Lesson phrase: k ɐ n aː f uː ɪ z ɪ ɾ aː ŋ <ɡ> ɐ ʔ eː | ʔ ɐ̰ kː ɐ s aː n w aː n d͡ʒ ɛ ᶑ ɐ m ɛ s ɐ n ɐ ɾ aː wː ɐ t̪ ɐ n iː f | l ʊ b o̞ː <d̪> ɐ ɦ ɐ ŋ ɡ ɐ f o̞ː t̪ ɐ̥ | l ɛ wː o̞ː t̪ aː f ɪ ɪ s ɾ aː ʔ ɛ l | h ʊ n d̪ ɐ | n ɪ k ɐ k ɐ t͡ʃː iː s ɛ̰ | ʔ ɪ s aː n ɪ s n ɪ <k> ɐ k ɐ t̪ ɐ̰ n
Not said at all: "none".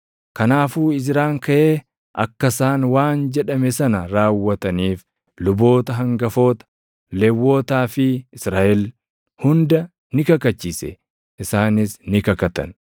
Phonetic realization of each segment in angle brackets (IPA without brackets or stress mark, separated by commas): k, t̪, k